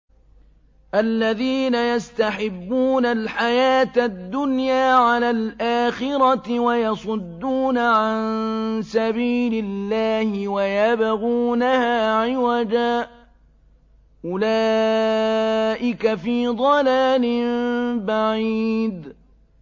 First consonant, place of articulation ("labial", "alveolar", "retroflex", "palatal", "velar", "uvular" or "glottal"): glottal